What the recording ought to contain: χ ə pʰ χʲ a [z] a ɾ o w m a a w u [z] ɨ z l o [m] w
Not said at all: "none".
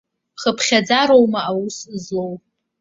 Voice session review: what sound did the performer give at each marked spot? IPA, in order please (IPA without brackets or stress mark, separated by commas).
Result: d͡z, s, none